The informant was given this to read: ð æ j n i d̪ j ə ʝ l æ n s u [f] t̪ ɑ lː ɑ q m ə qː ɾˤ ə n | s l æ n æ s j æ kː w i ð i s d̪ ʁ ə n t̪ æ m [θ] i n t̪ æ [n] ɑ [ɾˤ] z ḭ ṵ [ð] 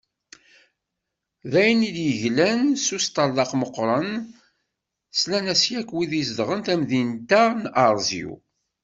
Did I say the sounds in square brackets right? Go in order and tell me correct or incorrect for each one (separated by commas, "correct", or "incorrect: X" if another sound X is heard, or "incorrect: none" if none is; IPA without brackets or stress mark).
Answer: incorrect: s, incorrect: ð, correct, correct, incorrect: none